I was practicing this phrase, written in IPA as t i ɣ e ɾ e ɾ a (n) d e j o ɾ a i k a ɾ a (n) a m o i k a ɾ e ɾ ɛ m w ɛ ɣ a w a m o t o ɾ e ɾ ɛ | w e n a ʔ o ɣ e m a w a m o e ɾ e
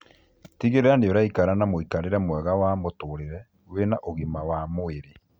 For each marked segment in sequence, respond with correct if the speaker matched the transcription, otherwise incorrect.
correct, correct

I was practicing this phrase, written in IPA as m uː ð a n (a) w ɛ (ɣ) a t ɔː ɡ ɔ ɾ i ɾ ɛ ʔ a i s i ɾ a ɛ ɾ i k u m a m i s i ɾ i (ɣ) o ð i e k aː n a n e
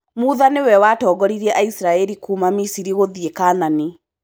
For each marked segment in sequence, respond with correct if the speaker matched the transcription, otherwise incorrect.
incorrect: e, incorrect: w, correct

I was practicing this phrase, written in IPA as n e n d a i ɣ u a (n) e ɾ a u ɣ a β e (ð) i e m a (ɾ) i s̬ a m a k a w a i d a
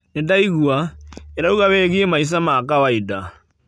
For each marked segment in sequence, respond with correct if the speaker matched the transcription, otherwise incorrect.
incorrect: none, incorrect: ɣ, incorrect: none

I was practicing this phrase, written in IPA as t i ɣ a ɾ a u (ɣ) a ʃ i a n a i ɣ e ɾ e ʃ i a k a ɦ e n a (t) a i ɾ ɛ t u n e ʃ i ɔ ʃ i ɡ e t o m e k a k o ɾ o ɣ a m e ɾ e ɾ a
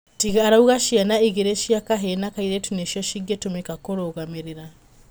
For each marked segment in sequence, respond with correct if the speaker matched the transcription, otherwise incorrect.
correct, incorrect: k

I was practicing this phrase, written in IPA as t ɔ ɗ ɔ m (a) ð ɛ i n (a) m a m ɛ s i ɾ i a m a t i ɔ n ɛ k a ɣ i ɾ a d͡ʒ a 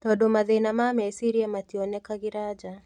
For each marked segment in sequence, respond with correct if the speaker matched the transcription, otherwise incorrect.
correct, correct

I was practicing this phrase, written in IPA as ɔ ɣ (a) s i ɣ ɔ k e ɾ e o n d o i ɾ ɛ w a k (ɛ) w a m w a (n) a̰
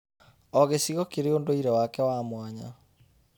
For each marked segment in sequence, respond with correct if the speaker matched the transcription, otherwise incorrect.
incorrect: e, correct, incorrect: ɲ

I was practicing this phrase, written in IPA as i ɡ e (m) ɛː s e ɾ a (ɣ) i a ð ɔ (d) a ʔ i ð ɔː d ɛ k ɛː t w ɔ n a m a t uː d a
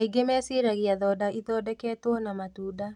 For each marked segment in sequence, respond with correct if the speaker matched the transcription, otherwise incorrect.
correct, correct, correct

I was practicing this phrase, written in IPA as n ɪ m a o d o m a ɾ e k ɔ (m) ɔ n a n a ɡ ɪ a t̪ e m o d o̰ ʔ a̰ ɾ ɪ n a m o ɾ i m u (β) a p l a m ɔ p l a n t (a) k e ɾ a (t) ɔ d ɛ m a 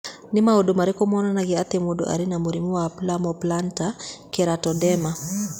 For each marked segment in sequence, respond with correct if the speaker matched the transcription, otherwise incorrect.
correct, incorrect: w, correct, correct

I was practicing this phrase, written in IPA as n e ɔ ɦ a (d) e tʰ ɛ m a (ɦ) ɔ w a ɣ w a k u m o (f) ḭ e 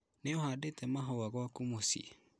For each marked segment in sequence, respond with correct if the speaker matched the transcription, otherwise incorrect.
correct, correct, incorrect: s

